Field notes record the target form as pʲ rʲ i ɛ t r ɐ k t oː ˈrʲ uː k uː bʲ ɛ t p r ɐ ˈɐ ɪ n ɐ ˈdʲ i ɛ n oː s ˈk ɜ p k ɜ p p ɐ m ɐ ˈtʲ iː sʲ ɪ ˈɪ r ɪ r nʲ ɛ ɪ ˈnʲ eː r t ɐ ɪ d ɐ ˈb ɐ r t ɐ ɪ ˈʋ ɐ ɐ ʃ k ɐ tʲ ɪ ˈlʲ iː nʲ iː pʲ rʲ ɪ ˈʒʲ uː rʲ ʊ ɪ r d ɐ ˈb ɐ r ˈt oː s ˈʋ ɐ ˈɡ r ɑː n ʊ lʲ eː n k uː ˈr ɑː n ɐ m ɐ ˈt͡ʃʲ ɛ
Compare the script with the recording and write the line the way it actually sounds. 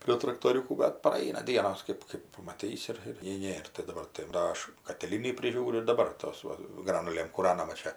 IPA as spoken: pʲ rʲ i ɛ t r ɐ k t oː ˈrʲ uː k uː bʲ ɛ t p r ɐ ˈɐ ɪ n ɐ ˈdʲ i ɛ n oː s ˈk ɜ p k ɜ p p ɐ m ɐ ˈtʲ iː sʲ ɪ ˈɪ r ɪ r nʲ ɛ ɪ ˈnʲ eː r t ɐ ɪ d ɐ ˈb ɐ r t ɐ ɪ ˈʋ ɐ ɐ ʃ k ɐ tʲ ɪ ˈlʲ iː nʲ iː pʲ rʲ ɪ ˈʒʲ uː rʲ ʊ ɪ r d ɐ ˈb ɐ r ˈt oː s ˈʋ ɐ ˈɡ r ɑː n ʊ lʲ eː m k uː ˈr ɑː n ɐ m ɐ ˈt͡ʃʲ ɛ

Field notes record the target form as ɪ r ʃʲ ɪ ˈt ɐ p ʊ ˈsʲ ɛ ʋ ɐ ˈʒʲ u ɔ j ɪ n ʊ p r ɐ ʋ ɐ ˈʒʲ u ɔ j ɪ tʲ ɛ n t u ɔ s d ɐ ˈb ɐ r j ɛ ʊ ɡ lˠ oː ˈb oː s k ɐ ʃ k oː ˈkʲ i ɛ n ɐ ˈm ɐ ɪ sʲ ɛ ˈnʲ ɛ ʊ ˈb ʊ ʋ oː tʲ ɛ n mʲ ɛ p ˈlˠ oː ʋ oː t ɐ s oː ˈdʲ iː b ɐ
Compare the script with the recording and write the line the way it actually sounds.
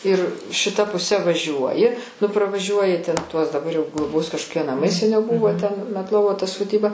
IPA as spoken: ɪ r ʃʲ ɪ ˈt ɐ p ʊ ˈsʲ ɛ ʋ ɐ ˈʒʲ u ɔ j ɪ n ʊ p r ɐ ʋ ɐ ˈʒʲ u ɔ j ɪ tʲ ɛ n t u ɔ s d ɐ ˈb ɐ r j ɛ ʊ ɡ lˠ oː ˈb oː s k ɐ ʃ k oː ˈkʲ i ɛ n ɐ ˈm ɐ ɪ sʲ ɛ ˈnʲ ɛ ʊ ˈb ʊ ʋ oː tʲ ɛ n mʲ ɛ t ˈlˠ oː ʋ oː t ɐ s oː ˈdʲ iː b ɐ

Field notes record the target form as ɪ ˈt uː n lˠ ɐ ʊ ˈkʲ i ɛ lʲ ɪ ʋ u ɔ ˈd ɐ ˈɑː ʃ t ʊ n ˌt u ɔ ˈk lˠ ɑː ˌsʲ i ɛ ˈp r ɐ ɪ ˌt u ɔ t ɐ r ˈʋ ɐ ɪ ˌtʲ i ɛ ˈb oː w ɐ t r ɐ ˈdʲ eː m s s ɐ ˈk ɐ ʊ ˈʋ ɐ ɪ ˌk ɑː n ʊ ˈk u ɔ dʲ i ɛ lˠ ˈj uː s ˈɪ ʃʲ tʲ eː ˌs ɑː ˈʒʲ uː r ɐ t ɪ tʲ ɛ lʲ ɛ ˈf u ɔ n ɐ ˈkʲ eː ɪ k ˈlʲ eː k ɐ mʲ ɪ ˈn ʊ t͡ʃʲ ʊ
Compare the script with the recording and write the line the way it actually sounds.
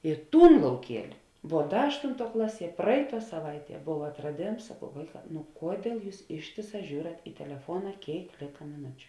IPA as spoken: ɪ ˈt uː n lˠ ɐ ʊ ˈkʲ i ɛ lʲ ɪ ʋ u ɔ ˈd ɐ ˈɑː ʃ t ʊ n ˌt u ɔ ˈk lˠ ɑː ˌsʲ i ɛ ˈp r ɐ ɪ ˌt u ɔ s ɐ ˈʋ ɐ ɪ ˌtʲ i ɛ ˈb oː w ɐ t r ɐ ˈdʲ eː m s s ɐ ˈk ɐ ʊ ˈʋ ɐ ɪ ˌk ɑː n ʊ ˈk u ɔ dʲ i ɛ lˠ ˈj uː s ˈɪ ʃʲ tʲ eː ˌs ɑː ˈʒʲ uː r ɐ t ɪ tʲ ɛ lʲ ɛ ˈf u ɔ n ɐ ˈkʲ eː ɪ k ˈlʲ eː k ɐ mʲ ɪ ˈn ʊ t͡ʃʲ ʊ

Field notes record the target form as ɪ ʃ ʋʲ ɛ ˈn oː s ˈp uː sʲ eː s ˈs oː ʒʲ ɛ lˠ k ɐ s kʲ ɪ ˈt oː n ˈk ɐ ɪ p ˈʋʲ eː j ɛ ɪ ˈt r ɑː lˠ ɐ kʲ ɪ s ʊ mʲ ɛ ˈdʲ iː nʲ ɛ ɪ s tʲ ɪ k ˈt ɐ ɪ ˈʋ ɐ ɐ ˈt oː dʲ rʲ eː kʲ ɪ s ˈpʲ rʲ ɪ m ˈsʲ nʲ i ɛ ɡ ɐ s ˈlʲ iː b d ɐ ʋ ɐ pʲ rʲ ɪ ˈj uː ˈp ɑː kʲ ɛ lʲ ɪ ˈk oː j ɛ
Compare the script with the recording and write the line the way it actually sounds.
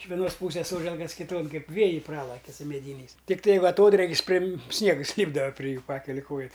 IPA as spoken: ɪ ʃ ʋʲ ɛ ˈn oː s ˈp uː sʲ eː s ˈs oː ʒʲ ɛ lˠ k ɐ s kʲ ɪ ˈt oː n ˈk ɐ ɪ p ˈʋʲ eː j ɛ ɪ ˈp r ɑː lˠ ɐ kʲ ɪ s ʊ mʲ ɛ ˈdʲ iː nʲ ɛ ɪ s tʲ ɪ k ˈt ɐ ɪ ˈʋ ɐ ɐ ˈt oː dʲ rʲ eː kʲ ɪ s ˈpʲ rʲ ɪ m ˈsʲ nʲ i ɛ ɡ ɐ s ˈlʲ iː b d ɐ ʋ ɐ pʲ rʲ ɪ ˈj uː ˈp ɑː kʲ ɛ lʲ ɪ ˈk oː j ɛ

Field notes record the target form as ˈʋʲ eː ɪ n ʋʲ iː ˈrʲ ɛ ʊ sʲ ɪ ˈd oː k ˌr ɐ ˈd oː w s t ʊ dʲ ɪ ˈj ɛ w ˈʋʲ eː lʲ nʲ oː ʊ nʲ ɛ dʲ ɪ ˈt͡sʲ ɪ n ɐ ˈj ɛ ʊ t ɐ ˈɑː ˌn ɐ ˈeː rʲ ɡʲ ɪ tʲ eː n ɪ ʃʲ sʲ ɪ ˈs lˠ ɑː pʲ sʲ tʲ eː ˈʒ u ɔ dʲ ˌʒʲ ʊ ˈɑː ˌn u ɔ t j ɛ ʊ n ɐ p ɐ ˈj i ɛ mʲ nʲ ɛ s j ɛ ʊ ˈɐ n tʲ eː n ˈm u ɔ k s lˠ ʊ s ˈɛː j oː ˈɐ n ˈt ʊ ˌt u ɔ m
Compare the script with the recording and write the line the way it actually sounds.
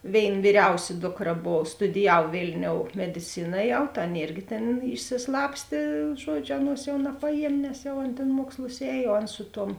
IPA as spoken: ˈʋʲ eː ɪ n ʋʲ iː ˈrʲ ɛ ʊ sʲ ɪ ˈd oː k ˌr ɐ ˈb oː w s t ʊ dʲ ɪ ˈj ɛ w ˈʋʲ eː lʲ nʲ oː ʊ mʲ ɛ dʲ ɪ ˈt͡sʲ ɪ n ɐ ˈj ɛ ʊ t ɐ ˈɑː ˌn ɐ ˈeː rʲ ɡʲ ɪ tʲ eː n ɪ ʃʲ sʲ ɪ ˈs lˠ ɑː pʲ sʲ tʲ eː ˈʒ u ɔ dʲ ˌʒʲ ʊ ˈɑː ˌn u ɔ s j ɛ ʊ n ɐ p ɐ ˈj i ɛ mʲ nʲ ɛ s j ɛ ʊ ˈɐ n tʲ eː n ˈm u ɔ k s lˠ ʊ s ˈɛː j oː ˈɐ n ˈs ʊ ˌt u ɔ m

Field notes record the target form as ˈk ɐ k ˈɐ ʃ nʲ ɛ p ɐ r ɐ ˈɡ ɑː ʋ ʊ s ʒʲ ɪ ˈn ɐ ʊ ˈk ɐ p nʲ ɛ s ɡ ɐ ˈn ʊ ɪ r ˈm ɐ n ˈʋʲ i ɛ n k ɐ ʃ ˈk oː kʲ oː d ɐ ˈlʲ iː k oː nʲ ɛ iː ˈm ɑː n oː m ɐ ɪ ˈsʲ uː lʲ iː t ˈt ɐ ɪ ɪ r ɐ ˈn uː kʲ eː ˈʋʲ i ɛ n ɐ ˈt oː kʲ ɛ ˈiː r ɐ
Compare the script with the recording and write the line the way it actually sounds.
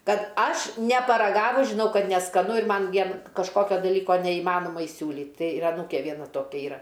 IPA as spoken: ˈk ɐ t ˈɐ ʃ nʲ ɛ p ɐ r ɐ ˈɡ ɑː ʋ ʊ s ʒʲ ɪ ˈn ɐ ʊ ˈk ɐ t nʲ ɛ s k ɐ ˈn ʊ ɪ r ˈm ɐ n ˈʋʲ i ɛ n k ɐ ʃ ˈk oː kʲ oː d ɐ ˈlʲ iː k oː nʲ ɛ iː ˈm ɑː n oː m ɐ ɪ ˈsʲ uː lʲ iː t ˈt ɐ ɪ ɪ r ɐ ˈn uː kʲ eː ˈʋʲ i ɛ n ɐ ˈt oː kʲ ɛ ˈiː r ɐ

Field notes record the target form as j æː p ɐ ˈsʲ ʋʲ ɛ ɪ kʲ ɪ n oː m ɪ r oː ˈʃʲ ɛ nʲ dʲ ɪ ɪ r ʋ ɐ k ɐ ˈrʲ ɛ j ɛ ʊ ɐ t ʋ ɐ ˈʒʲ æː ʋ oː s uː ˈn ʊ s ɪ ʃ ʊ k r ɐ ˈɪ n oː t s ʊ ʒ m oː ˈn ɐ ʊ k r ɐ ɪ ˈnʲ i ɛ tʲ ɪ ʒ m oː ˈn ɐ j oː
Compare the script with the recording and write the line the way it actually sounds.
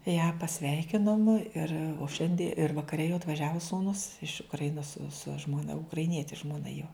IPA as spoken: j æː p ɐ ˈsʲ ʋʲ ɛ ɪ kʲ ɪ n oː m ɪ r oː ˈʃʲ ɛ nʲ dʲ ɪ ɪ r ʋ ɐ k ɐ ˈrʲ ɛ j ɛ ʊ ɐ t ʋ ɐ ˈʒʲ æː ʋ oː s uː ˈn ʊ s ɪ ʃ ʊ k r ɐ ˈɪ n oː s s ʊ ʒ m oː ˈn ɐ ʊ k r ɐ ɪ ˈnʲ i ɛ tʲ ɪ ʒ m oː ˈn ɐ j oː

